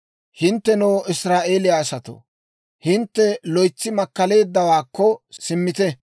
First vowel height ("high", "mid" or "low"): high